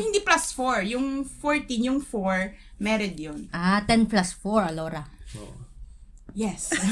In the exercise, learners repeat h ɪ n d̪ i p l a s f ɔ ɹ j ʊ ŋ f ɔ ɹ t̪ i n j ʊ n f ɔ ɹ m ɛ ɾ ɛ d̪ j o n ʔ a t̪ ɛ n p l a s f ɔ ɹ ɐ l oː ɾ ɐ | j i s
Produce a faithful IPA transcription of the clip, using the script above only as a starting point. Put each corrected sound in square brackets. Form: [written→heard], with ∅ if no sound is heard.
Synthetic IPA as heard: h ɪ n d̪ i p l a s f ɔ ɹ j ʊ ŋ f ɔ ɹ t̪ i n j ʊ [n→ŋ] f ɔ ɹ m ɛ ɾ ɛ d̪ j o n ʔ a t̪ ɛ n p l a s f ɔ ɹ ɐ l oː ɾ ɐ | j [i→ɛ] s